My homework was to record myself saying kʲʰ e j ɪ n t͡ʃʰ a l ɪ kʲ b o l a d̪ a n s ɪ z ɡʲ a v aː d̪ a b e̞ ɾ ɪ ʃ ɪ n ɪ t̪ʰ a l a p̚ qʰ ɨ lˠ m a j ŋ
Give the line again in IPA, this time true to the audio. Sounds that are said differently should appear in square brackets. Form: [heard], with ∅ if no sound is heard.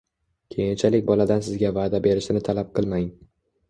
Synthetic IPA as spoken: kʲʰ e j ɪ n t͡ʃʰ a l ɪ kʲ b [ɒ] l a d̪ a n s ɪ z ɡʲ a v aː d̪ a b e̞ ɾ ɪ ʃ ɪ n ɪ t̪ʰ a l a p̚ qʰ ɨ lˠ m a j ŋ